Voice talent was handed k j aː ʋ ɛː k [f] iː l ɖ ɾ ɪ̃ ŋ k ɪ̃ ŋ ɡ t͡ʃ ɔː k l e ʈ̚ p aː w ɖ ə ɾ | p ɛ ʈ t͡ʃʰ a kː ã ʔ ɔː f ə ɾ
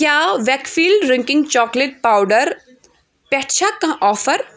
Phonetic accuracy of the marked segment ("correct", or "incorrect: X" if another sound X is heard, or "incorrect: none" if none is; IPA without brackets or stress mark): correct